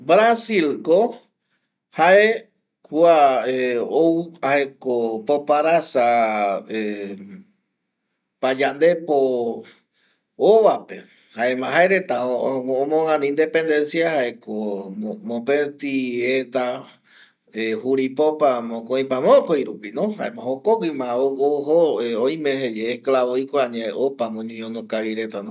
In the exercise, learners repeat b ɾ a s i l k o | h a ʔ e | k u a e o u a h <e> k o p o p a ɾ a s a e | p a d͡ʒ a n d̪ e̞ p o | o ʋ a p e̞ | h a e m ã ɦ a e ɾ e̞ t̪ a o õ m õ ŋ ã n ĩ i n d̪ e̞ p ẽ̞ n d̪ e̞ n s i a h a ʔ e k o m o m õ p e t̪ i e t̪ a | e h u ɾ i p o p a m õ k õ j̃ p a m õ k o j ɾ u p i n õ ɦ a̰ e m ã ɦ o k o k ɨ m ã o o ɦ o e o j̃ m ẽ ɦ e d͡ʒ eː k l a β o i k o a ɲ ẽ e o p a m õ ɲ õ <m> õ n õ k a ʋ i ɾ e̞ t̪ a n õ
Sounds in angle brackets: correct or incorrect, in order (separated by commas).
correct, incorrect